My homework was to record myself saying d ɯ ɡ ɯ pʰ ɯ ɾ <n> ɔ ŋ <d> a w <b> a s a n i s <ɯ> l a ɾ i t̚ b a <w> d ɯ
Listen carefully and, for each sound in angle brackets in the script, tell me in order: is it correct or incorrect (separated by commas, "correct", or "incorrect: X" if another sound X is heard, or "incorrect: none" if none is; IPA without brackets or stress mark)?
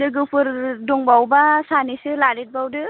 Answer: incorrect: d, incorrect: b, correct, correct, correct